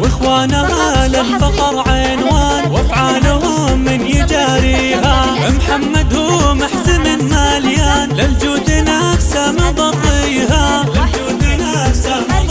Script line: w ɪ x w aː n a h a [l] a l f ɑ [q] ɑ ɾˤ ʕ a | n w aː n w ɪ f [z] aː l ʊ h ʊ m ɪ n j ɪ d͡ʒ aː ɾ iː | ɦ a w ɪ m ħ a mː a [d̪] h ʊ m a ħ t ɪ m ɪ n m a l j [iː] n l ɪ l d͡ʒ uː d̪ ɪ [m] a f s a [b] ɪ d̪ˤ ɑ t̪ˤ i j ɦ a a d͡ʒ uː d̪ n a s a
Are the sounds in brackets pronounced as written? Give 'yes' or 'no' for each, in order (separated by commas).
yes, yes, no, yes, no, no, no